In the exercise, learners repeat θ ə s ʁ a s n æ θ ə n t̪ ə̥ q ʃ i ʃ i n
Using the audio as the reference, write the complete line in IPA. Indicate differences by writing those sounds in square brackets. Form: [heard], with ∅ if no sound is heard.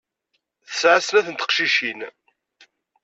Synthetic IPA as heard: θ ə s [ʕ] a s n æ θ ə n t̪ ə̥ q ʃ i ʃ i n

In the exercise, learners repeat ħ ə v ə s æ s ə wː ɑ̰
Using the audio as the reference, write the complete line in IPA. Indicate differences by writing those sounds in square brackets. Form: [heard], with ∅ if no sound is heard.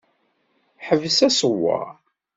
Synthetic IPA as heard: ħ ə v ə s æ s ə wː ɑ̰

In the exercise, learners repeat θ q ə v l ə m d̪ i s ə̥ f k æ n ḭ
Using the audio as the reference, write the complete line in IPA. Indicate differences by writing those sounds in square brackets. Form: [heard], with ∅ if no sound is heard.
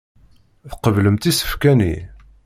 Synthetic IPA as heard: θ q ə v l ə m [t̪] i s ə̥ f k æ n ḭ

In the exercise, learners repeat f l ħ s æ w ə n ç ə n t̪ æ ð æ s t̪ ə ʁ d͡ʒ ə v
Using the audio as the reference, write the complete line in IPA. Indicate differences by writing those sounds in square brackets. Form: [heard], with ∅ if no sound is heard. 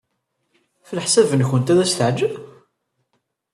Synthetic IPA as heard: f l ħ s æ [v] ə n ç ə n t̪ æ ð æ s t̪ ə [ʕ] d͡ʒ ə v

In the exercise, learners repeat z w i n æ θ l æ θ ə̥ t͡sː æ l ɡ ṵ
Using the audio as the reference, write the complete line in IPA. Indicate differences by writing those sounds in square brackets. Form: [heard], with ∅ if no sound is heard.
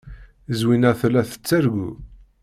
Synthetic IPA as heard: z w i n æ θ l æ θ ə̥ t͡sː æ [ɾ] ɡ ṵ

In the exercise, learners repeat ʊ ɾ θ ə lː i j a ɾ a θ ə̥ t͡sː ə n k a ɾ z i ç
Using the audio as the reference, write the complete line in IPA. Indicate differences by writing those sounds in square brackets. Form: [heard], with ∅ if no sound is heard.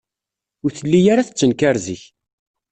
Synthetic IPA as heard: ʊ ɾ θ ə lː i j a ɾ a θ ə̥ t͡sː ə n k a ɾ z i ç

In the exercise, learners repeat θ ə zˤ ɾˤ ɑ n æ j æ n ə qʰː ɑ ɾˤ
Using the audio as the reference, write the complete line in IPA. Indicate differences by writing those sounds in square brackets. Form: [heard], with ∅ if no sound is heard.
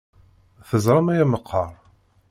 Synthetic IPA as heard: θ ə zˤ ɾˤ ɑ [m] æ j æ [m] ə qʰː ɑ ɾˤ

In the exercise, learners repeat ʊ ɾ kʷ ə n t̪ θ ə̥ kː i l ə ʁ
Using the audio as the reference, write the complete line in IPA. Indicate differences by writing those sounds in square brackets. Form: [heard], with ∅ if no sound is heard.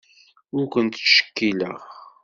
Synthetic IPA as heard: ʊ ɾ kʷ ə n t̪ [ʃ] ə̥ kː i l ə ʁ

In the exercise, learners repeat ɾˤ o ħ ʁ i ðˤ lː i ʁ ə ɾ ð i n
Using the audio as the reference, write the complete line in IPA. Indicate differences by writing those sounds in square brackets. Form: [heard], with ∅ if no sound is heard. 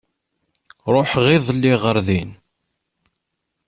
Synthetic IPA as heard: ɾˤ o ħ ʁ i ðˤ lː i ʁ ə ɾ ð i n

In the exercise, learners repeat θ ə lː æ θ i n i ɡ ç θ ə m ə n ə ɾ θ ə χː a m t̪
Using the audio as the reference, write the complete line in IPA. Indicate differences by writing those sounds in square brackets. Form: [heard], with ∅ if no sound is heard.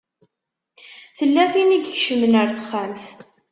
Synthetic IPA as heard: θ ə lː æ θ i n i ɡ ç [ʃ] ə m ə n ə ɾ θ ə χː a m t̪

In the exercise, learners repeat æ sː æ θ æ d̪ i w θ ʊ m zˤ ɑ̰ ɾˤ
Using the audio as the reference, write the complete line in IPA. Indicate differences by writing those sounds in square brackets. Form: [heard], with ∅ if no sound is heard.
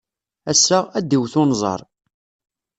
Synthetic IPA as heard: æ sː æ [∅] æ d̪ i w θ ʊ [n] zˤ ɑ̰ ɾˤ

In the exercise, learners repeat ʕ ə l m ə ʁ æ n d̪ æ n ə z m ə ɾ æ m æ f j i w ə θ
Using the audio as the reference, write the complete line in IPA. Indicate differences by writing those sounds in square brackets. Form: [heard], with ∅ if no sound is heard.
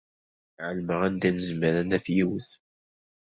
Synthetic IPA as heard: ʕ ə l m ə ʁ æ n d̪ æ n ə z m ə ɾ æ [n] æ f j i w ə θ

